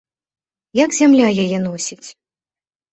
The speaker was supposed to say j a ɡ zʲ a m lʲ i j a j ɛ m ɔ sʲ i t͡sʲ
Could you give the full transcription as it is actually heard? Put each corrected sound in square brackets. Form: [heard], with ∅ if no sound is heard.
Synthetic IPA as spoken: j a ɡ zʲ a m lʲ [a] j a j ɛ [n] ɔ sʲ i t͡sʲ